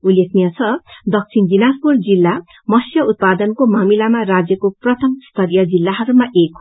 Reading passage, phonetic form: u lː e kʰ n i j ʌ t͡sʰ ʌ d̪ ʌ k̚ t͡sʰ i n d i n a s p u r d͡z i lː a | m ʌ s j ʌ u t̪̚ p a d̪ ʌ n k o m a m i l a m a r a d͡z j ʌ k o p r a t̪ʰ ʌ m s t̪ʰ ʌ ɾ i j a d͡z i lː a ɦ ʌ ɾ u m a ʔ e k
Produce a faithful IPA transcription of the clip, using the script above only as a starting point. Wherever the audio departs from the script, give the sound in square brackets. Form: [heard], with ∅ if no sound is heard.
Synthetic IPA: u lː e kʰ n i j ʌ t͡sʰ ʌ d̪ ʌ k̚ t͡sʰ i n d i n a s p u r d͡z i lː a | m ʌ s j ʌ u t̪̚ p a d̪ ʌ n k o m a m i l a m a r a d͡z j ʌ k o p r [ʌ] t̪ʰ ʌ m s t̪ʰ ʌ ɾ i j [ʌ] d͡z i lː a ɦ ʌ ɾ u m a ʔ e k